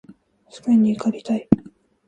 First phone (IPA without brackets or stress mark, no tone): s